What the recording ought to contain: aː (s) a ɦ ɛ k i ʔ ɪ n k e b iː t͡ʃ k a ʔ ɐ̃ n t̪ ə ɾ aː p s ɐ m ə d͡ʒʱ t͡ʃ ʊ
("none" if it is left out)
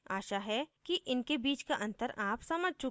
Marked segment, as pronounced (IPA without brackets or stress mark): ʃ